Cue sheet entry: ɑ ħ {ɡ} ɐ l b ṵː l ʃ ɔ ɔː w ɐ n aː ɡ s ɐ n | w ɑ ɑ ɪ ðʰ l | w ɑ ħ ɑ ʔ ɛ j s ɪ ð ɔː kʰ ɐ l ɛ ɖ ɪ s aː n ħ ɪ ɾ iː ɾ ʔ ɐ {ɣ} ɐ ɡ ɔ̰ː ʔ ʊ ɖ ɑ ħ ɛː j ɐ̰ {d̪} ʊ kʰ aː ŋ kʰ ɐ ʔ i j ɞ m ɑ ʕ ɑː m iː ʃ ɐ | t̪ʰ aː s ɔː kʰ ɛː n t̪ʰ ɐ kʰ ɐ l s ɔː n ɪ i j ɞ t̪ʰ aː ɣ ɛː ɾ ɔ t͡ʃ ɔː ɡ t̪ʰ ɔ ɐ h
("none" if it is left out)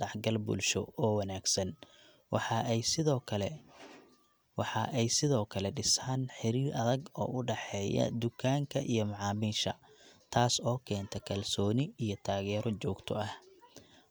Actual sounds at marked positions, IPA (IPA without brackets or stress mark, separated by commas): ɡ, ð, d̪